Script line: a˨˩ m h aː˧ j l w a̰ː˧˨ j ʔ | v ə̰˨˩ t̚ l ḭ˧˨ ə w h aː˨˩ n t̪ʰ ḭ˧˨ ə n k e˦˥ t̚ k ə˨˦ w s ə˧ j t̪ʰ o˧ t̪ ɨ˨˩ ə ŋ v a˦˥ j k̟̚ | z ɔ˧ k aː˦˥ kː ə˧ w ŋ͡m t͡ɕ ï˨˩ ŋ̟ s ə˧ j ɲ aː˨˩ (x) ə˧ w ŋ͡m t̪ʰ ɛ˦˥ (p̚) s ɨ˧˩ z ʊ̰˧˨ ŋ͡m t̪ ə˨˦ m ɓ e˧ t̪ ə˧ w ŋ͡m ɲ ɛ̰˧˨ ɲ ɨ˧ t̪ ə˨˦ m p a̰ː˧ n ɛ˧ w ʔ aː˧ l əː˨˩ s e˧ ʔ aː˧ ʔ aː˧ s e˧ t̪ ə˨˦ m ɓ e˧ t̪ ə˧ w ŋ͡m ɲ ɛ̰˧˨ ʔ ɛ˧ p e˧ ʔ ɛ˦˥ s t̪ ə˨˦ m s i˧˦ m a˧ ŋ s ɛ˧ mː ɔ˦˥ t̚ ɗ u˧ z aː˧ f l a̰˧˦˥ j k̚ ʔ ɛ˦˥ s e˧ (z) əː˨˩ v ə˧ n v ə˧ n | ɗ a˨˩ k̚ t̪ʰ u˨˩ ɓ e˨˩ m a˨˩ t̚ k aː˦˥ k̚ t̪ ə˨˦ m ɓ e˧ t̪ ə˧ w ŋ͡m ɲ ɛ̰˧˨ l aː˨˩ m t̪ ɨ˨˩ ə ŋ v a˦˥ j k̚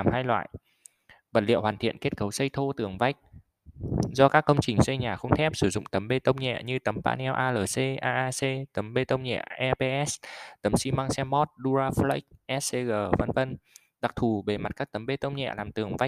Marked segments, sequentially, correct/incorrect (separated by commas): correct, correct, incorrect